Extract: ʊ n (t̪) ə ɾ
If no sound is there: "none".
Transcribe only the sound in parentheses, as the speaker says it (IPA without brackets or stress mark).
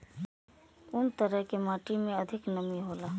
t̪